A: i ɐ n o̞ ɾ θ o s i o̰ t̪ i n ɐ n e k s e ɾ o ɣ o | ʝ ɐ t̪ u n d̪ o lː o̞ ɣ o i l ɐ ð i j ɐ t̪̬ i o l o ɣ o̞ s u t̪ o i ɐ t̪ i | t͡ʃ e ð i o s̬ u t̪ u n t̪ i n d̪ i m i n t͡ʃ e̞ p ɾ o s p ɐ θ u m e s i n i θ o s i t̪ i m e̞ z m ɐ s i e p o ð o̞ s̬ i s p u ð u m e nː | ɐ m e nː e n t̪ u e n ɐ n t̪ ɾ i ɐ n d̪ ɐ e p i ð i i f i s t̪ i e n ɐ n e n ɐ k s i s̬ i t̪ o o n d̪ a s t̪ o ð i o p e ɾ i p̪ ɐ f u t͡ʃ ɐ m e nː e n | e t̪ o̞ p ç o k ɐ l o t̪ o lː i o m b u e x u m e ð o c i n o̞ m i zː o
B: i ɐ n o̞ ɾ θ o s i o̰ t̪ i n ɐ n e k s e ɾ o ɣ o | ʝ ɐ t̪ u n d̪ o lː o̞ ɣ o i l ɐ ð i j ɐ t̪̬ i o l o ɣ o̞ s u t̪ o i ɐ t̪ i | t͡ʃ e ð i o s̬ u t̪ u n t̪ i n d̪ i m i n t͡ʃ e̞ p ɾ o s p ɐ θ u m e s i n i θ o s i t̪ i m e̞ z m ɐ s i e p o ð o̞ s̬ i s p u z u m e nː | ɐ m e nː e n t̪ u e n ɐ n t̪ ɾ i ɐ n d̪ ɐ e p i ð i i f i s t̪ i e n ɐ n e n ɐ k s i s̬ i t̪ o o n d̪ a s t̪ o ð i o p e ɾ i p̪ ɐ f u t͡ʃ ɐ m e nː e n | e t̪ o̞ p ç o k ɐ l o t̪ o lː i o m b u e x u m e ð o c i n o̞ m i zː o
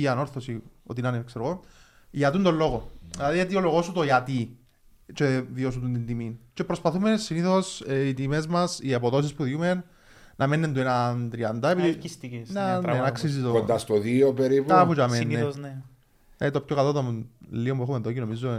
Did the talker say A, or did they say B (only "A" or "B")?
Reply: A